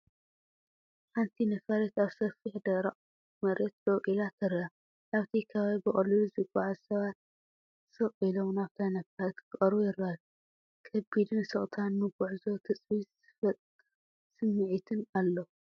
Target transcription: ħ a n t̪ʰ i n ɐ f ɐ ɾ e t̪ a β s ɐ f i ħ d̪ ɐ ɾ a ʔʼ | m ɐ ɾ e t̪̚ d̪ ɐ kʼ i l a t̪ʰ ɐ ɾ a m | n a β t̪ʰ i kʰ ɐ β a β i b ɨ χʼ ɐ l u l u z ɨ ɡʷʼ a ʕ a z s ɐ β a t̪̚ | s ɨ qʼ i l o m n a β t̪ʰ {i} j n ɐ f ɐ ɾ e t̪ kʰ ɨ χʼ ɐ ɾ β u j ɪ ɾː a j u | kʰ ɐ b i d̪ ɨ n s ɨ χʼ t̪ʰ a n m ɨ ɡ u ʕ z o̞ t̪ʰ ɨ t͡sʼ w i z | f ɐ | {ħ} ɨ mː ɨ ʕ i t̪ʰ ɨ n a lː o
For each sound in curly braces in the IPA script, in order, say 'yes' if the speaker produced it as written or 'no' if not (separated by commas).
no, no